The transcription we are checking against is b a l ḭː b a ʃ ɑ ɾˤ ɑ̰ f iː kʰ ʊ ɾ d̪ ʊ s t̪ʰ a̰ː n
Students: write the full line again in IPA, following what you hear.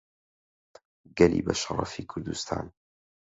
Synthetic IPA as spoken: ɡ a l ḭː b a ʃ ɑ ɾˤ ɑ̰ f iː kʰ ʊ ɾ d̪ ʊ s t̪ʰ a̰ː n